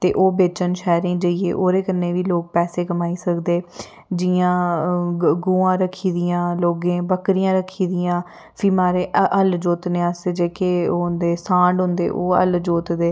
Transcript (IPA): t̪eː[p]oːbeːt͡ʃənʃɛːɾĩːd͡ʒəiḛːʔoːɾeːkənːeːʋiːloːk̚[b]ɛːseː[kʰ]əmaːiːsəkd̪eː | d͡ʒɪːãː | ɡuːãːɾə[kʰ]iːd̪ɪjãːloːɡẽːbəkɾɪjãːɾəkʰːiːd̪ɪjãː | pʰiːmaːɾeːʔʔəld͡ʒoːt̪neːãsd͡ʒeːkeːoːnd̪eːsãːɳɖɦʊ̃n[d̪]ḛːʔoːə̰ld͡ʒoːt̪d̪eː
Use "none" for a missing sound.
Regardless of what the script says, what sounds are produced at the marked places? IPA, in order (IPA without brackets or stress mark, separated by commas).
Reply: ʔ, p, k, kʰ, d̪